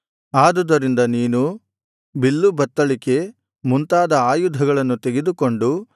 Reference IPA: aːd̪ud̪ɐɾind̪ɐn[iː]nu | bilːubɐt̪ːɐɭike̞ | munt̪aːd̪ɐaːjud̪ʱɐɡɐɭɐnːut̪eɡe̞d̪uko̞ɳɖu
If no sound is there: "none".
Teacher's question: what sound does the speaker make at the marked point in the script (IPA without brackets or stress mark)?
iː